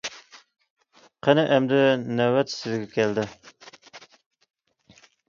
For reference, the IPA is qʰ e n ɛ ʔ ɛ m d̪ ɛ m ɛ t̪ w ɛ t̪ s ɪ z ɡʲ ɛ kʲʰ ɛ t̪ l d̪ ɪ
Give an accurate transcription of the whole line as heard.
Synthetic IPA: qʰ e n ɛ ʔ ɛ m d̪ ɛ n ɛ w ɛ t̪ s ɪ z ɡʲ ɛ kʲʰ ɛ l d̪ ɪ